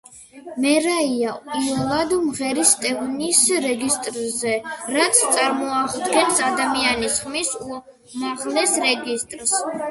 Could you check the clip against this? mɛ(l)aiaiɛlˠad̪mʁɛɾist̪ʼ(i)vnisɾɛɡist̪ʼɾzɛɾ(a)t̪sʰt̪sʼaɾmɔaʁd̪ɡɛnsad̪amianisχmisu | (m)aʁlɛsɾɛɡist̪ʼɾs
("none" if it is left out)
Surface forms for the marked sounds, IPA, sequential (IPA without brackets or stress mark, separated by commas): ɾ, ɛ, a, m